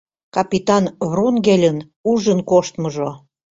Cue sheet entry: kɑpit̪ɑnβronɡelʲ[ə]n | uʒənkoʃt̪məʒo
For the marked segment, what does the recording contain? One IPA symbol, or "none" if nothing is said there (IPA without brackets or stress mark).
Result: ə